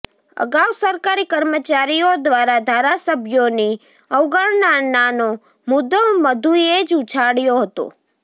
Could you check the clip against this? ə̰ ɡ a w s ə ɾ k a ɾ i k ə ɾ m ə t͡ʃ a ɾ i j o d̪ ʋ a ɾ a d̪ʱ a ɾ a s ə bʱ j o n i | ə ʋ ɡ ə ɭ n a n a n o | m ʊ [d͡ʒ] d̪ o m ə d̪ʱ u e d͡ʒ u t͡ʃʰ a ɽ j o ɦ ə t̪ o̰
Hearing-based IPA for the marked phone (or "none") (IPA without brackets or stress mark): none